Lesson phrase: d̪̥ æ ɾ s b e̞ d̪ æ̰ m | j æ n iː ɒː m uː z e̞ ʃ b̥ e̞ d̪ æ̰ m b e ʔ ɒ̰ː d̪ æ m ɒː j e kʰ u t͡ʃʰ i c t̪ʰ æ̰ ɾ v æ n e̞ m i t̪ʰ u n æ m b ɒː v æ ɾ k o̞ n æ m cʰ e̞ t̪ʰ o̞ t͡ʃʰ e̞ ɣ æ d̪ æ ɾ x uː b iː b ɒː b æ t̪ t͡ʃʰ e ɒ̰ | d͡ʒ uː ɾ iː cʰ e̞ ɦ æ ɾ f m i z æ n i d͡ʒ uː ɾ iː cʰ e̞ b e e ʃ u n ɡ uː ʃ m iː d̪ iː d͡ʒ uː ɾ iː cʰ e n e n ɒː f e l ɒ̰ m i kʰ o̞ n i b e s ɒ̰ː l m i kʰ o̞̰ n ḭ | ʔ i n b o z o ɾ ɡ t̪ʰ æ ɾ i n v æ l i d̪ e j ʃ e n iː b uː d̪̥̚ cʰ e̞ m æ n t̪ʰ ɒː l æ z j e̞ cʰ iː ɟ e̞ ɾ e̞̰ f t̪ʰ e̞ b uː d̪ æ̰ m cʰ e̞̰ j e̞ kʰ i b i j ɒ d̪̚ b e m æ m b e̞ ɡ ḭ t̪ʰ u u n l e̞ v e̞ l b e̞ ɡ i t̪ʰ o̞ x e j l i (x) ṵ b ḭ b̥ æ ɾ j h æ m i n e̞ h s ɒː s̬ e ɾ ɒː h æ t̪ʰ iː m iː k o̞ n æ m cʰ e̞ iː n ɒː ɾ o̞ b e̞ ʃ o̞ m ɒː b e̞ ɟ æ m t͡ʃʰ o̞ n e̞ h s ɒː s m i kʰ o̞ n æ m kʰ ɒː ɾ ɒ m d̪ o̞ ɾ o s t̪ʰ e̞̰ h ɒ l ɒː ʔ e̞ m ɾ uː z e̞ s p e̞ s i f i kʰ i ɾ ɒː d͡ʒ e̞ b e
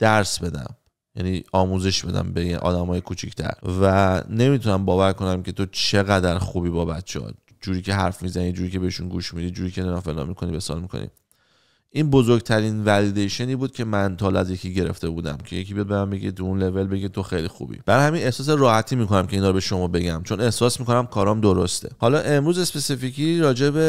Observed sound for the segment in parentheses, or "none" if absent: x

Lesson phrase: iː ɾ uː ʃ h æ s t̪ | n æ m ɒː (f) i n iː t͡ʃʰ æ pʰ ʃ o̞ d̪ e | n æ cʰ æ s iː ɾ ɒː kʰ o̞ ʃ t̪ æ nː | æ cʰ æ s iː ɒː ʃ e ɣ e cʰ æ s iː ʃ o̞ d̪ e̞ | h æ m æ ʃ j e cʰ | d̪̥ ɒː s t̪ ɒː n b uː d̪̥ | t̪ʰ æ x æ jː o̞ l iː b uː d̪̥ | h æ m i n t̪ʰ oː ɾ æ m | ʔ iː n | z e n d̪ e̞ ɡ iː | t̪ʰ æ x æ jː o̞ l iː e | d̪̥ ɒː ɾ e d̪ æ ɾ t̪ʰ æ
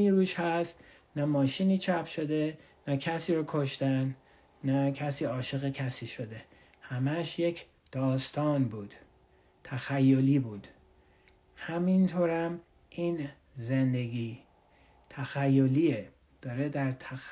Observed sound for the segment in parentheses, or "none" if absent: ʃ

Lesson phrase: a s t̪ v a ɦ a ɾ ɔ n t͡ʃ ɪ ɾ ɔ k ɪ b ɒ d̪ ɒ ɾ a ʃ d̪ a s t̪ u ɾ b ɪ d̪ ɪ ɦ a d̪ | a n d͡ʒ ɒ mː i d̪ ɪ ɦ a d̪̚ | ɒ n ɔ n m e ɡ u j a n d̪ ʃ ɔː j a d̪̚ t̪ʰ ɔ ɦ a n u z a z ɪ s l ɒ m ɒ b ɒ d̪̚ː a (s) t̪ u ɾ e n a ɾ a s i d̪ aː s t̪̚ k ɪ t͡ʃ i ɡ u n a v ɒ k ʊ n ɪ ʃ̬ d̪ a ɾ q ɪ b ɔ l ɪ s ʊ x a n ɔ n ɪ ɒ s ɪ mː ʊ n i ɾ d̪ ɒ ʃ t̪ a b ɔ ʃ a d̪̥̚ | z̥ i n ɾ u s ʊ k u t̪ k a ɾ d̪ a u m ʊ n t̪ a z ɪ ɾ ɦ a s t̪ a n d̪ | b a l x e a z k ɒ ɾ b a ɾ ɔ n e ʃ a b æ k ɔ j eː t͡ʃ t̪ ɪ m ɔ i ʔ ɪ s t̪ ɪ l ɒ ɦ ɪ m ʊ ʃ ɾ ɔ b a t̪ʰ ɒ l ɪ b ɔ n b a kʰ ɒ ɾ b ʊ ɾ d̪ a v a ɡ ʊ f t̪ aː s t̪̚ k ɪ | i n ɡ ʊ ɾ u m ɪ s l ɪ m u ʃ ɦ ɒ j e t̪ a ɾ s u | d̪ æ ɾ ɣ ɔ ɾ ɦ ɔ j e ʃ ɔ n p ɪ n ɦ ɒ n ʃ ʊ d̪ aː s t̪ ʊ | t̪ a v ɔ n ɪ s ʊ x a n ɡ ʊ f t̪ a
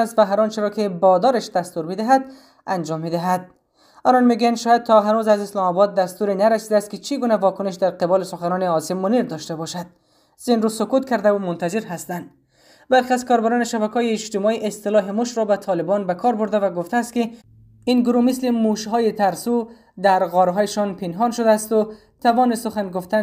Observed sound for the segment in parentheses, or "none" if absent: s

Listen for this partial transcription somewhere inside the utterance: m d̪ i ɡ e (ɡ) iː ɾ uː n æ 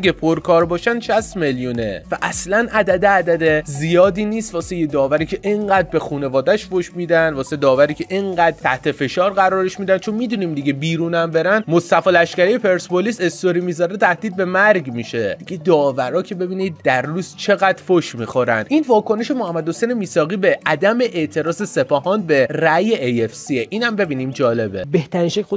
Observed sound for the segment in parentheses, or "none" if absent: b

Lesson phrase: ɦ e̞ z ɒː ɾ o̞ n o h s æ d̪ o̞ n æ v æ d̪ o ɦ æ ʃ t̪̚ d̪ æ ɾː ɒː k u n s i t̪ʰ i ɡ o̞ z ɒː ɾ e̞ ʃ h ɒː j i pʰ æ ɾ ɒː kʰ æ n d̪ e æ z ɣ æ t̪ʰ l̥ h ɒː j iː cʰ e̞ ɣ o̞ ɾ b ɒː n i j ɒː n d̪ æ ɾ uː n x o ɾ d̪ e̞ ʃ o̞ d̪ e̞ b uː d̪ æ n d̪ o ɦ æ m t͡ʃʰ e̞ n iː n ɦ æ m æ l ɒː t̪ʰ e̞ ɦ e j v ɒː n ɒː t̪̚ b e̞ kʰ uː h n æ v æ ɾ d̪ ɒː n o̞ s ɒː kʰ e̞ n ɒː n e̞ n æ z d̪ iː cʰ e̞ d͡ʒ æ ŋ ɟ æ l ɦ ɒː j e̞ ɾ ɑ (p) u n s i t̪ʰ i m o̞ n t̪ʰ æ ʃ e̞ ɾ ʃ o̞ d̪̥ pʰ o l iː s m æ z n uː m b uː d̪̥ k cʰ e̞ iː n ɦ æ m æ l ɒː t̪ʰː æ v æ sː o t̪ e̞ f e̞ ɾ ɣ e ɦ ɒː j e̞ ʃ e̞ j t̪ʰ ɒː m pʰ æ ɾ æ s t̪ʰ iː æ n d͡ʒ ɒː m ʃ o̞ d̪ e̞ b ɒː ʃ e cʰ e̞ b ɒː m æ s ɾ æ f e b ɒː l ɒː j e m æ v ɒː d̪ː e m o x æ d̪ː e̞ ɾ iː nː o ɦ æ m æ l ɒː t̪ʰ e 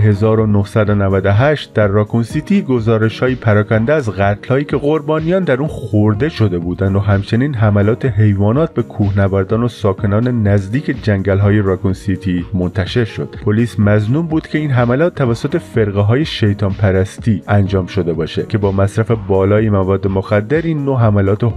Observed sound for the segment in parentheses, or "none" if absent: k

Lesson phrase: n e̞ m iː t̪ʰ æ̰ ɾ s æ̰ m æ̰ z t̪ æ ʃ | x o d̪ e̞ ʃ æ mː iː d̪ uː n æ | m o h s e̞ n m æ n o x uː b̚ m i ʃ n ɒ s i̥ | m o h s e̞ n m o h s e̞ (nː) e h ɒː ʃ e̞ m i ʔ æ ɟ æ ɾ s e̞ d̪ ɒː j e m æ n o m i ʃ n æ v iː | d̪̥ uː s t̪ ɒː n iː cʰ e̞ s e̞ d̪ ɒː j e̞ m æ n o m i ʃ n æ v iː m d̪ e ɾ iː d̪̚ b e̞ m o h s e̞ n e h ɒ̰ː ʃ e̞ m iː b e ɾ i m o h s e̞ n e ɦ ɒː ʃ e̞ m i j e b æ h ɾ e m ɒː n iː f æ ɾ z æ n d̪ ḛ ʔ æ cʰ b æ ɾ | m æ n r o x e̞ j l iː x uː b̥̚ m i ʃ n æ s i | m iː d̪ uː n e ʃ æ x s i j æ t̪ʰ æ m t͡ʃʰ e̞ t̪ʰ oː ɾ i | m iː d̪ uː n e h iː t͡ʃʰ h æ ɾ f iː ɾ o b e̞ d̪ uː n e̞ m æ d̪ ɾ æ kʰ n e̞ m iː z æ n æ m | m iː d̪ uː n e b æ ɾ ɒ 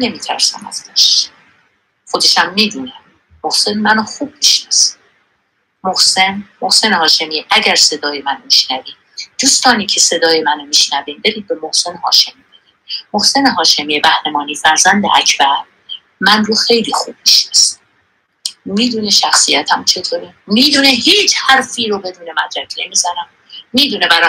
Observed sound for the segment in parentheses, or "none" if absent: n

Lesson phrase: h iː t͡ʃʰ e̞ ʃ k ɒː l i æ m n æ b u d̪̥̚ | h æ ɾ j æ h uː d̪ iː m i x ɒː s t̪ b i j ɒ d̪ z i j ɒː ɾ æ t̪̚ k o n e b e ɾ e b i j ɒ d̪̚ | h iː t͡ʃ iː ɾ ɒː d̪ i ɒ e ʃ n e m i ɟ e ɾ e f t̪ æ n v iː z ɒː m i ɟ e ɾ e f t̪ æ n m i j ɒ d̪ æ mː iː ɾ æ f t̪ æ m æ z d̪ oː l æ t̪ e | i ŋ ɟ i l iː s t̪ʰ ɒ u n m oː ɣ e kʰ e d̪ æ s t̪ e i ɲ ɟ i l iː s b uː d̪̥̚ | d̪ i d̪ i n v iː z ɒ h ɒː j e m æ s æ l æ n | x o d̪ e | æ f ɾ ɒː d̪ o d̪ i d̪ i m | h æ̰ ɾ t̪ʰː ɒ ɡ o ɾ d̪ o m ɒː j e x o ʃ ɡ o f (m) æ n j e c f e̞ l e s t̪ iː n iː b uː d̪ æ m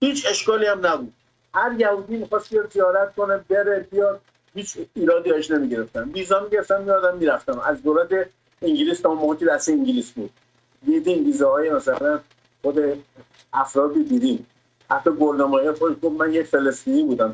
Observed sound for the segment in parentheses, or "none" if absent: m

